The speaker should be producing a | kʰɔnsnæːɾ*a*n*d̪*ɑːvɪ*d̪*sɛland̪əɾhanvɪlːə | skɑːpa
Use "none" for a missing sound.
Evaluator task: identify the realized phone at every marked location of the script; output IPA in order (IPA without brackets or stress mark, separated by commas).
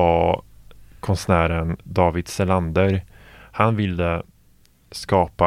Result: ə, d̪, d̪